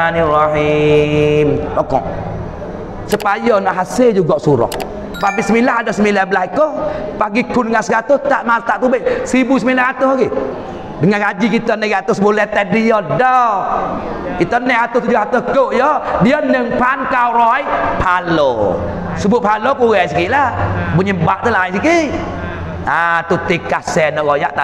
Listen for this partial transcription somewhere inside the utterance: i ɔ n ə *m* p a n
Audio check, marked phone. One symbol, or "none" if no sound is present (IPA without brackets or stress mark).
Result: ŋ